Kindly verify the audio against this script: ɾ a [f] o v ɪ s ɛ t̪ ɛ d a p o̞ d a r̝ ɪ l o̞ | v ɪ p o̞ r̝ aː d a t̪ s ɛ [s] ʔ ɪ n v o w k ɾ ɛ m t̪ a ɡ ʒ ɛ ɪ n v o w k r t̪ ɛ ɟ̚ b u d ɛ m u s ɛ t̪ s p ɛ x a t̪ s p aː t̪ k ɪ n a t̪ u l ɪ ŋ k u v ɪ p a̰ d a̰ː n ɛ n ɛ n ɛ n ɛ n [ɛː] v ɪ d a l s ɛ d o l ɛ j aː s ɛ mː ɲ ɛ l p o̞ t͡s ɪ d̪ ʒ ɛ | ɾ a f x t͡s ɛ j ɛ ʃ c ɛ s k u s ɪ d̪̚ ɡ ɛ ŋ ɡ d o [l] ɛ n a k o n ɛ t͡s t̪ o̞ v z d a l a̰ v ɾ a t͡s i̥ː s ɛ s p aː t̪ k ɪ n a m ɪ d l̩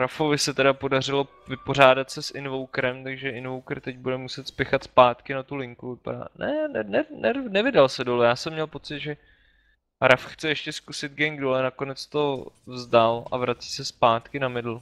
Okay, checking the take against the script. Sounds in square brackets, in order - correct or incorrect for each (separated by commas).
correct, correct, incorrect, correct